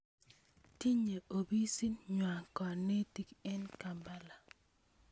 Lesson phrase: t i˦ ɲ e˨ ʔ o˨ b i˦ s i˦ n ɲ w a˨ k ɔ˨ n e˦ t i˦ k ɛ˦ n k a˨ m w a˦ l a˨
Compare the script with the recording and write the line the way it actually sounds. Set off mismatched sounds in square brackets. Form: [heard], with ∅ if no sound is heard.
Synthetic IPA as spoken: t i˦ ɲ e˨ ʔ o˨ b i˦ s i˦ n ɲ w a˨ k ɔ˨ n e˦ t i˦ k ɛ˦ n k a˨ m [b] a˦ l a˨